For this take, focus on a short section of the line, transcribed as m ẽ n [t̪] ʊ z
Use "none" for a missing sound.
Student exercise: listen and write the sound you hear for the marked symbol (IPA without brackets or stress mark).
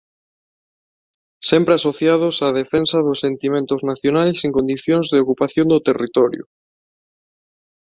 t̪